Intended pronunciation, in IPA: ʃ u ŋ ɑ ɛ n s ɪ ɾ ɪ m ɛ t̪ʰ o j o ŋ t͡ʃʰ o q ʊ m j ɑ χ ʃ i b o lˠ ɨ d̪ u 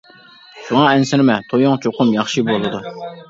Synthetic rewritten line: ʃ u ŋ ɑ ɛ n s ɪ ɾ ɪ m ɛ t̪ʰ o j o ŋ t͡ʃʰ o q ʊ m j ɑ χ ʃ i b o lˠ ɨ d̪ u